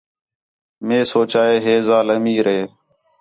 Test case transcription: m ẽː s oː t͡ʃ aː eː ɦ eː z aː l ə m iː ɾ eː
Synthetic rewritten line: m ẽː s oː t͡ʃ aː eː ɦ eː z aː l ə m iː ɾ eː